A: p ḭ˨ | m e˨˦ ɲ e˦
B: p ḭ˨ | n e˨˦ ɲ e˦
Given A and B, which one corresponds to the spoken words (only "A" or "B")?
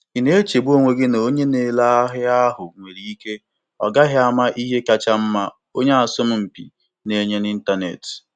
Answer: B